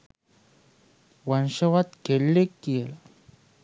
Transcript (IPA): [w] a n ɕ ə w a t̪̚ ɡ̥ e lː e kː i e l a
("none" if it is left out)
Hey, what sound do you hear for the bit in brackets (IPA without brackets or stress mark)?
w